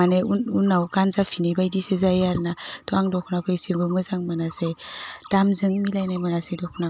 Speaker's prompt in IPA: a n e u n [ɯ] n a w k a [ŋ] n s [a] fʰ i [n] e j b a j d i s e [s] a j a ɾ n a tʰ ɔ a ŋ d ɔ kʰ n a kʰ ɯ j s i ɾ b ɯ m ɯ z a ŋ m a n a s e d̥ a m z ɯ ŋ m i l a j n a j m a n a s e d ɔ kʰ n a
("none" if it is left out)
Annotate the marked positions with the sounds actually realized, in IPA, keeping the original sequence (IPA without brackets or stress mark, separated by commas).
u, none, a, n, z